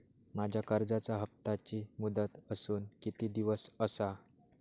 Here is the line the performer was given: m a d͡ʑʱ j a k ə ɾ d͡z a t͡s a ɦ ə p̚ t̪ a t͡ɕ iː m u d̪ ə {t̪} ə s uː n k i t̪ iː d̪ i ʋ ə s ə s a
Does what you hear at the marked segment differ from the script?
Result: no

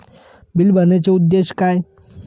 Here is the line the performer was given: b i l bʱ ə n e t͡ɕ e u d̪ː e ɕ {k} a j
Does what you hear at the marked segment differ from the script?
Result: no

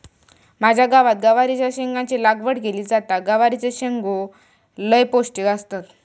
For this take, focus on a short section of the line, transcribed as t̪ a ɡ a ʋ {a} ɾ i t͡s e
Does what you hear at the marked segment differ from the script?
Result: no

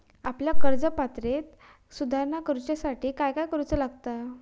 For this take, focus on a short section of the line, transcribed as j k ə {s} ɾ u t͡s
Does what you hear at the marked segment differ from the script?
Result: yes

